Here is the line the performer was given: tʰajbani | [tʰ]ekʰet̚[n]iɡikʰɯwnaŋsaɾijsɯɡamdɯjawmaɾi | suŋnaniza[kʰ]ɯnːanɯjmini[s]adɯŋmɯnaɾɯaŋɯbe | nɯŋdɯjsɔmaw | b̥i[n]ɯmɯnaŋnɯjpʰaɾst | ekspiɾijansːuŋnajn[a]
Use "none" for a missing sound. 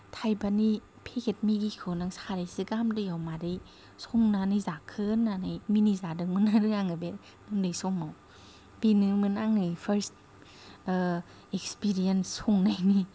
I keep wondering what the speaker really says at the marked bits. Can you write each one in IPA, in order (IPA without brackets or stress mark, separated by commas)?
pʰ, m, kʰ, z, n, i